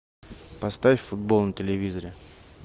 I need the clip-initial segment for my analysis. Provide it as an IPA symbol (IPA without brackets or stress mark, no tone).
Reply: p